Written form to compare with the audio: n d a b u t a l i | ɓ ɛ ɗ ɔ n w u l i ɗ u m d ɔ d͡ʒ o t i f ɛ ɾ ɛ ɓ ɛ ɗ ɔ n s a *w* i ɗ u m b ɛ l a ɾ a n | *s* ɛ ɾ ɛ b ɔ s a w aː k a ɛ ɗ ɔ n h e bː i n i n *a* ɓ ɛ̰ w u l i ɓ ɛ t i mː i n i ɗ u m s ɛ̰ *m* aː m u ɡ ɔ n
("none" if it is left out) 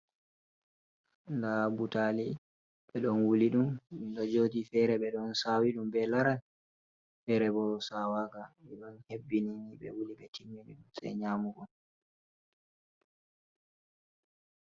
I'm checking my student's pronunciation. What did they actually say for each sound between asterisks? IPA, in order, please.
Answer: w, f, i, ɲ

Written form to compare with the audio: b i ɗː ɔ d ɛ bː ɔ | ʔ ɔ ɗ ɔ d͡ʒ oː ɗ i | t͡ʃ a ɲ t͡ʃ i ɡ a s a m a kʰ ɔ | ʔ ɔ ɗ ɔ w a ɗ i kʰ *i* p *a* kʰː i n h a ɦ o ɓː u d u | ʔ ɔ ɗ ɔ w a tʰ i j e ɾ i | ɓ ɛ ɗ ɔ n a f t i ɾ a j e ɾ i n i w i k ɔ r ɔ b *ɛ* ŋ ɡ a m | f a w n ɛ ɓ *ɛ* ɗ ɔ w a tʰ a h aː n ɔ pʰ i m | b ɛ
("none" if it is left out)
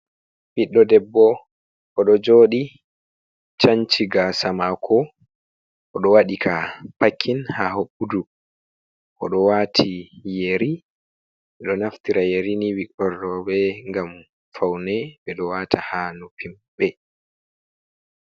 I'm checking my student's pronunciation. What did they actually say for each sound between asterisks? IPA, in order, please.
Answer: a, a, ɛ, ɛ

